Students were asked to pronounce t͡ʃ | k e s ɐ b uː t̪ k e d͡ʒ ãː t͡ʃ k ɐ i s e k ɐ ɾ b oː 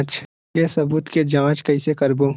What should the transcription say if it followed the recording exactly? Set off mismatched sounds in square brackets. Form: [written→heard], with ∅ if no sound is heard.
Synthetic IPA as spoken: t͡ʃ | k e s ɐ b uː t̪ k e d͡ʒ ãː t͡ʃ k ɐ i s e k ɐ ɾ b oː